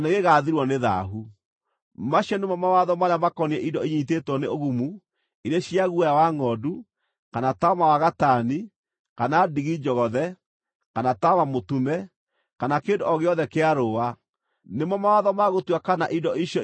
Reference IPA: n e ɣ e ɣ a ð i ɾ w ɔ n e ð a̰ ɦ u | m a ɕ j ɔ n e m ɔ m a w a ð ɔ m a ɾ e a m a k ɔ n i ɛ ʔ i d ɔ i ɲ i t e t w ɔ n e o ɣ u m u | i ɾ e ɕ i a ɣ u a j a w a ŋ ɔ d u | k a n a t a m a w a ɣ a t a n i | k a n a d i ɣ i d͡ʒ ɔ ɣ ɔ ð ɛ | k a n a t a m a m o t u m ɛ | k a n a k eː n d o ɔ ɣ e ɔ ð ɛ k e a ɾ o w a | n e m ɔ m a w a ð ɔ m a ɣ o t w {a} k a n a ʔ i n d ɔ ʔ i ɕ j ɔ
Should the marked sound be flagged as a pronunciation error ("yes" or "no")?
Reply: no